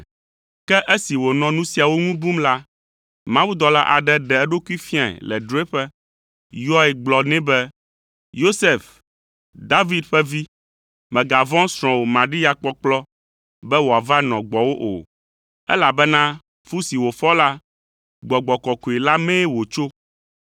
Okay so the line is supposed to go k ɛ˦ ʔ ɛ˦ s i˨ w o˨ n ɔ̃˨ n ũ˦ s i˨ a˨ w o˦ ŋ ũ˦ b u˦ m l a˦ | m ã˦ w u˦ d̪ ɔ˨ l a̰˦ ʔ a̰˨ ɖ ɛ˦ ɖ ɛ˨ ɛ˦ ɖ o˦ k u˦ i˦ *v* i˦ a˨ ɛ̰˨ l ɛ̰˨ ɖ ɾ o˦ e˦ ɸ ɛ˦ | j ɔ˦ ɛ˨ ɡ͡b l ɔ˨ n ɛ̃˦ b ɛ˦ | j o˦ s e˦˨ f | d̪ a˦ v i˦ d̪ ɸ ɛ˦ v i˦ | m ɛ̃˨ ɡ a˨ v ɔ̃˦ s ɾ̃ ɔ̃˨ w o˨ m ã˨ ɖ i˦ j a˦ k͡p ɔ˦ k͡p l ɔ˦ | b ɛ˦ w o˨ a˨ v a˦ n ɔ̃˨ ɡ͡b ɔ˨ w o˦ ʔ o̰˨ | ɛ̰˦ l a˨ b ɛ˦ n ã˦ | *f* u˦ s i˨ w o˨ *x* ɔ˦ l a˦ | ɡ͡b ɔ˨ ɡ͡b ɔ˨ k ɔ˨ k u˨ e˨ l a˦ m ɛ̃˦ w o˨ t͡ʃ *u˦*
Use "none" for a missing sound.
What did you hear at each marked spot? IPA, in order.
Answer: f, f, f, o˦

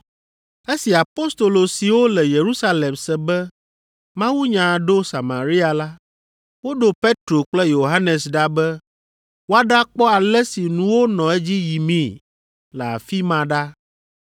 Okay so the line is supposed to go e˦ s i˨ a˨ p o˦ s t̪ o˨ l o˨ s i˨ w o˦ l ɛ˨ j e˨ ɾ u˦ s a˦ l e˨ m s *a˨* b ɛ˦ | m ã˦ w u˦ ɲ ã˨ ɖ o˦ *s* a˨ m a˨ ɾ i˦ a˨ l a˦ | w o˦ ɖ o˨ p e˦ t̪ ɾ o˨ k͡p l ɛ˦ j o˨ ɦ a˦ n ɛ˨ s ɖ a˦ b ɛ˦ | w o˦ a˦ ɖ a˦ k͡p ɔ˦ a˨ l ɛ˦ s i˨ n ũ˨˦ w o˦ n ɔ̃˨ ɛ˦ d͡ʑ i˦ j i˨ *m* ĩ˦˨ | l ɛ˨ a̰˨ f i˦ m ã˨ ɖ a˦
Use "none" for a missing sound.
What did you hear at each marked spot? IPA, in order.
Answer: ɛ˨, s, m

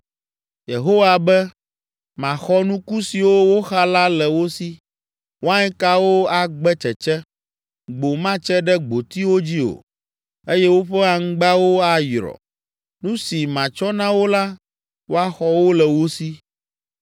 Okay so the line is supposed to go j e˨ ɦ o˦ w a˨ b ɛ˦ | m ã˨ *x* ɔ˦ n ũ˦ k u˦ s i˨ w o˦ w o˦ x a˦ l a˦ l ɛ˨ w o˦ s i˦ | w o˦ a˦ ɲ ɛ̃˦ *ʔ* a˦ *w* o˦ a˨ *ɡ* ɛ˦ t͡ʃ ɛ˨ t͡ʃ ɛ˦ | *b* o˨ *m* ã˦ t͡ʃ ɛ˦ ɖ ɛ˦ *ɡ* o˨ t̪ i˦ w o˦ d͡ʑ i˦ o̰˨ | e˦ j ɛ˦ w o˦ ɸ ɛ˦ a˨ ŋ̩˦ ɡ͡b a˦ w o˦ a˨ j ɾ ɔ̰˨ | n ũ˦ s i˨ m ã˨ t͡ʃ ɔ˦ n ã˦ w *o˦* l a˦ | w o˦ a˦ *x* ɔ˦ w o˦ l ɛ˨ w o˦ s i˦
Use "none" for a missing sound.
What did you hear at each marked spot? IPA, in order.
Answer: x, k, w, ɡ͡b, ɡ͡b, m, ɡ͡b, o˦, x

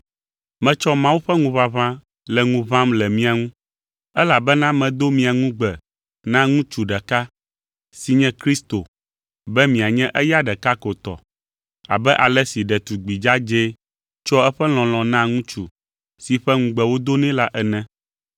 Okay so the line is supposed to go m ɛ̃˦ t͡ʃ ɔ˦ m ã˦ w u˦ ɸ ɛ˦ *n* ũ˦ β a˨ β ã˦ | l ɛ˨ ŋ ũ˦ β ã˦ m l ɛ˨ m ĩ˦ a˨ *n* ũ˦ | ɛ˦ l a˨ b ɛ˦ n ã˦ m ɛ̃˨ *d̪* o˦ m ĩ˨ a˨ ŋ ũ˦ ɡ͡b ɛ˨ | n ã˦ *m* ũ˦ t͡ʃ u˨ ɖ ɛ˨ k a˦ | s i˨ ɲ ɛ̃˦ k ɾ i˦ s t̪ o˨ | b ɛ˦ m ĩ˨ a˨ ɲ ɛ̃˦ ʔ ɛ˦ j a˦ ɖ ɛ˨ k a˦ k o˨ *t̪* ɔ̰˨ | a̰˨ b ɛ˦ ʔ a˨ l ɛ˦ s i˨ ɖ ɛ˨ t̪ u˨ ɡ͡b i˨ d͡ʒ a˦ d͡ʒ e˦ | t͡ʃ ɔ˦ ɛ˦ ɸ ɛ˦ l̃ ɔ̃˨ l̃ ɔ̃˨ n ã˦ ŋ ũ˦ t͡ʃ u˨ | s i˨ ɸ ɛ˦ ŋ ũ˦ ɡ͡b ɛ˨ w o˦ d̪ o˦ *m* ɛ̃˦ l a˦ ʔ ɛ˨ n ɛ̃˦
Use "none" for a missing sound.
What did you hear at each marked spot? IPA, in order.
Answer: ŋ, ŋ, d̪, ŋ, t̪, n

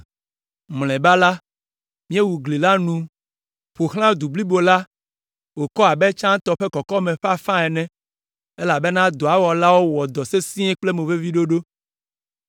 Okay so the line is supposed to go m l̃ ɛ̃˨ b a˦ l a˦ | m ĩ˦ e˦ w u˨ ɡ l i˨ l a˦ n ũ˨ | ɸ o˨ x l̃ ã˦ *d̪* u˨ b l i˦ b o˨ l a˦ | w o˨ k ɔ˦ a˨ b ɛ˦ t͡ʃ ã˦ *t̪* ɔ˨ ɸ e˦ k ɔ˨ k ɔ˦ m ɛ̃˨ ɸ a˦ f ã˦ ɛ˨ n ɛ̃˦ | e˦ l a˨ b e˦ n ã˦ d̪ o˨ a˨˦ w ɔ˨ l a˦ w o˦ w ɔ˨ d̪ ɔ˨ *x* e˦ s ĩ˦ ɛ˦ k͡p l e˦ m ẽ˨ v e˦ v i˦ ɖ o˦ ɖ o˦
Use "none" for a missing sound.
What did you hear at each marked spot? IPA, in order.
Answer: d̪, t̪, s

